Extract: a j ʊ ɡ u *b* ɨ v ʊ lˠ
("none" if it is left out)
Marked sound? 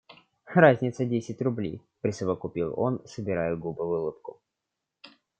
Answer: b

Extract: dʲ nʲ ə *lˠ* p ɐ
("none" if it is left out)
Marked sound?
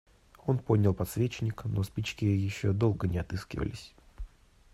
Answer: lˠ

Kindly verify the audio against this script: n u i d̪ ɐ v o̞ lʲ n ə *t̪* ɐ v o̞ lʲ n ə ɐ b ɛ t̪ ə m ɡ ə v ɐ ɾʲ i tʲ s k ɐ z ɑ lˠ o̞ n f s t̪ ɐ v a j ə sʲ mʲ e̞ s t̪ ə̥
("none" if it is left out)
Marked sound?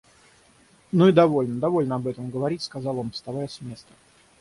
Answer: d̪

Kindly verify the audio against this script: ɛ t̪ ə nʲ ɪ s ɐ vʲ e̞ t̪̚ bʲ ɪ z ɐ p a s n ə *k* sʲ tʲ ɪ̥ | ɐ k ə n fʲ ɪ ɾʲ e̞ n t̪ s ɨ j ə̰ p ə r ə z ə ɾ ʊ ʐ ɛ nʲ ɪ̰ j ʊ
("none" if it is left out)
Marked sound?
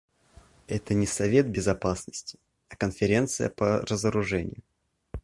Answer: none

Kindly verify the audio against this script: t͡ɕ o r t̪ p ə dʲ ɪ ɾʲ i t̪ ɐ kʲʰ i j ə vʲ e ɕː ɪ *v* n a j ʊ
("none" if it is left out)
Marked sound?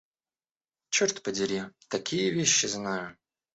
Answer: z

